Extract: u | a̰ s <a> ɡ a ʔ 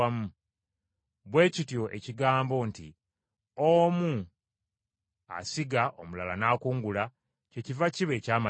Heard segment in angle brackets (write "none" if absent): i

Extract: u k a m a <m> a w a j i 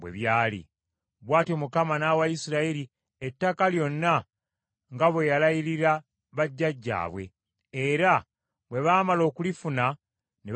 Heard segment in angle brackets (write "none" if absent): n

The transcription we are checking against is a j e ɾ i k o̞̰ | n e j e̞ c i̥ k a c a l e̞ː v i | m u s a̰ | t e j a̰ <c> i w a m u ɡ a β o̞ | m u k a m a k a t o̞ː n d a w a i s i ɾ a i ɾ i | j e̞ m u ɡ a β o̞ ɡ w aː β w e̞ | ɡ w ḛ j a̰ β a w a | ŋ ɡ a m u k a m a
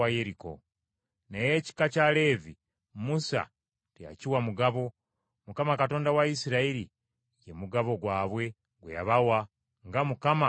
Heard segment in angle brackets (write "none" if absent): c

